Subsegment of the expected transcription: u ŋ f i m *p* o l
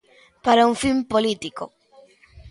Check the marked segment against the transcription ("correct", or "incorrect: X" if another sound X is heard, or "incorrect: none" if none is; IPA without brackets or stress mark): correct